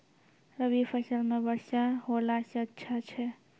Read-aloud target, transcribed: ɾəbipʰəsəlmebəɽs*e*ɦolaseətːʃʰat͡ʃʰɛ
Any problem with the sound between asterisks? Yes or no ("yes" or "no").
yes